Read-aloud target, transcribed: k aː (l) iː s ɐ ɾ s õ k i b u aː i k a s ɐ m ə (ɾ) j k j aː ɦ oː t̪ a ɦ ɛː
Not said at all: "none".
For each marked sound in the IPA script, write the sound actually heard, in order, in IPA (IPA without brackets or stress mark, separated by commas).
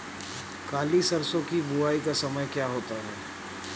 l, none